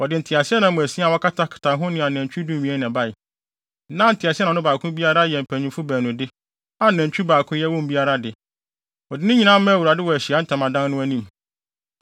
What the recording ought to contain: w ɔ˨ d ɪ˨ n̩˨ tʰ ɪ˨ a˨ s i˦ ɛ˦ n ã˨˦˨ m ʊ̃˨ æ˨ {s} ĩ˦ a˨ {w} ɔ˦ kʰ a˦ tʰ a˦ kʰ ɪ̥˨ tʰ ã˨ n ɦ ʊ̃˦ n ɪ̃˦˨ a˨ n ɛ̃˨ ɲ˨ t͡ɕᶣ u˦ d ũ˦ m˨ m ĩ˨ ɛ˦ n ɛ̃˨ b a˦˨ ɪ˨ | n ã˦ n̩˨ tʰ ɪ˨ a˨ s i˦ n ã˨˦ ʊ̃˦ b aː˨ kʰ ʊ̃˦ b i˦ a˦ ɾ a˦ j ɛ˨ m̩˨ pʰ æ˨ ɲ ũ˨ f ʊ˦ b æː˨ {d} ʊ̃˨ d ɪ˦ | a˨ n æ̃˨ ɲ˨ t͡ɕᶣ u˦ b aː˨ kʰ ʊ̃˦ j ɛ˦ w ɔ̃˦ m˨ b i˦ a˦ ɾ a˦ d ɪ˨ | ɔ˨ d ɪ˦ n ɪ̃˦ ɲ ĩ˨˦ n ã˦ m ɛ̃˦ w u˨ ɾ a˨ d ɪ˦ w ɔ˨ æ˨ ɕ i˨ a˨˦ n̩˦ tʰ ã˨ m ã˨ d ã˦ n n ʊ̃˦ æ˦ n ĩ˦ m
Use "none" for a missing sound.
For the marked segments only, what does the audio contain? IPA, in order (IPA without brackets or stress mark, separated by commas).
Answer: s, w, n